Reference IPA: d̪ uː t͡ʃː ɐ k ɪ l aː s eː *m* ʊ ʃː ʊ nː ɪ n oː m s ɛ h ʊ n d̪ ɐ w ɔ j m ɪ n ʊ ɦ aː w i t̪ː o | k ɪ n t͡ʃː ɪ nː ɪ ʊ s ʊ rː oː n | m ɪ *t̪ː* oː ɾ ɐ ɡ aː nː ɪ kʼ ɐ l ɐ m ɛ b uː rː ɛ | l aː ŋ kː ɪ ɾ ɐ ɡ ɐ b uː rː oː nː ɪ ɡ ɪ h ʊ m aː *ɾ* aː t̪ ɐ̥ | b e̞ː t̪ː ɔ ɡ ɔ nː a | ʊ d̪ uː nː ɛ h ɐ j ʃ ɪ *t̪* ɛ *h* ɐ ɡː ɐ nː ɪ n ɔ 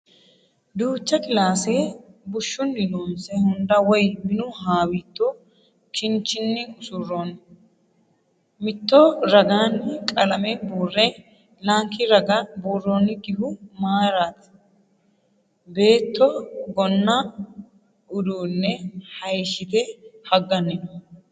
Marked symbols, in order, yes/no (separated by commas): no, yes, yes, yes, yes